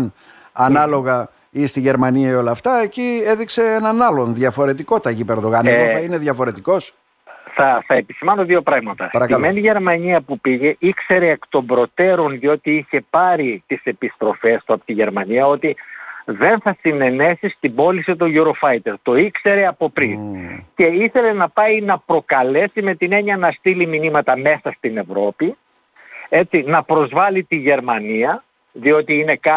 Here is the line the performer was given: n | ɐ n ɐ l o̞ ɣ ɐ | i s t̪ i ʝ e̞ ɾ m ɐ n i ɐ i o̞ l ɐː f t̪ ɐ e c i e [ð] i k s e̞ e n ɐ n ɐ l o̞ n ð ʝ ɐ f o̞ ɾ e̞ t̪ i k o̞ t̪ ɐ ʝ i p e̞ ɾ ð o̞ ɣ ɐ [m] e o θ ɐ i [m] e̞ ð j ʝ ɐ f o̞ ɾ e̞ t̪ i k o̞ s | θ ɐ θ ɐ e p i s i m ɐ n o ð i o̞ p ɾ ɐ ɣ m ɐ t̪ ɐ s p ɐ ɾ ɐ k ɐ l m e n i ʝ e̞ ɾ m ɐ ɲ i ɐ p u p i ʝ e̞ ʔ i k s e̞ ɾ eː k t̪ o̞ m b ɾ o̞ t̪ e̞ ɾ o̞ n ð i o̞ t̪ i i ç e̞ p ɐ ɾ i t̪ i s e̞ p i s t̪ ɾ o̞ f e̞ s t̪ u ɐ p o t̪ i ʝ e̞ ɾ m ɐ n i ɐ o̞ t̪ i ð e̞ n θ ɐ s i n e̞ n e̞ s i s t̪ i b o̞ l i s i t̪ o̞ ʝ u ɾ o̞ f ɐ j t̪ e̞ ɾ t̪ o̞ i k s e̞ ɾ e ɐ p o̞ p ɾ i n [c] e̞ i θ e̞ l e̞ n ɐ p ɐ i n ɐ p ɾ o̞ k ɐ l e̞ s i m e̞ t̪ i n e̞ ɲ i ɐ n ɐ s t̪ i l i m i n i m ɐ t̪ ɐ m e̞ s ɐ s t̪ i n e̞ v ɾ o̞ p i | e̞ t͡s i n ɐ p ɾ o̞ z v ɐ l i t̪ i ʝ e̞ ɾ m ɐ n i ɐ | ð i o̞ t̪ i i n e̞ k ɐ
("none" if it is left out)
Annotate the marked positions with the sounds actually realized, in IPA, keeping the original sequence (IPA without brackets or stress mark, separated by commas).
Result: ð, n, n, c